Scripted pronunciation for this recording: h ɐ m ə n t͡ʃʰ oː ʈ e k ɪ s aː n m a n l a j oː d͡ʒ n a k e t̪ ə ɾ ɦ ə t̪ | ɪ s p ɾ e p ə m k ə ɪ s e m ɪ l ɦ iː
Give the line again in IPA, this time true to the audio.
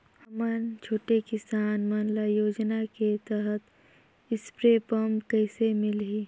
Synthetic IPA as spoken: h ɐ m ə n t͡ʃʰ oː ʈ e k ɪ s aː n m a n l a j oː d͡ʒ n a k e t̪ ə ɦ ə t̪ | ɪ s p ɾ e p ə m k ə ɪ s e m ɪ l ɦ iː